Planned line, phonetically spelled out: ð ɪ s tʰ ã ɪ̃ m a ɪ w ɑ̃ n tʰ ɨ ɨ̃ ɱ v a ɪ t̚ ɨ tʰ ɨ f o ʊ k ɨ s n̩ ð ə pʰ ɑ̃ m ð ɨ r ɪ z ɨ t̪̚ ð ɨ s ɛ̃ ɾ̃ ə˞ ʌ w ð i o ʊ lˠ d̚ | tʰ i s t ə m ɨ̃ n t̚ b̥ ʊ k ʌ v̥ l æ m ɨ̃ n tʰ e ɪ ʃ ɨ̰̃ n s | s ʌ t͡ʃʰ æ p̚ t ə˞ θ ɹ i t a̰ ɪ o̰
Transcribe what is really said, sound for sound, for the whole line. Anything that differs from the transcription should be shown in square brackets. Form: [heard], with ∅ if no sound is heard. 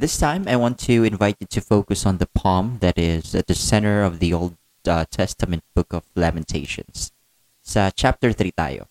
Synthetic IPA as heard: ð ɪ s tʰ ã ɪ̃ m a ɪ w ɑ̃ n tʰ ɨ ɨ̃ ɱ v a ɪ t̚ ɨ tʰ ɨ f o ʊ k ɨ s n̩ ð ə pʰ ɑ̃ m ð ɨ [ɾ] ɪ z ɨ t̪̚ ð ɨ s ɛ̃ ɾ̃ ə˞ ʌ [v] ð i o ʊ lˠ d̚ | tʰ [ɛ] s t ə m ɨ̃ n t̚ b̥ ʊ k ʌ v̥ l æ m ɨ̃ n tʰ e ɪ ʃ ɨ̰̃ n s | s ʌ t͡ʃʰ æ p̚ t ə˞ θ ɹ i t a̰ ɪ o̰